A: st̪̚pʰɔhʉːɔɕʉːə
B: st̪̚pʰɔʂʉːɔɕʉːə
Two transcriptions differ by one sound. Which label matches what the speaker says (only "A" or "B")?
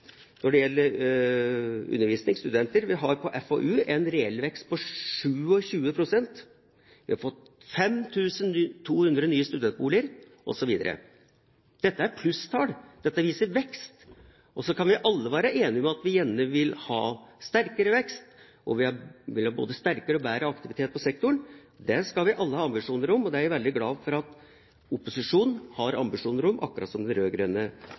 B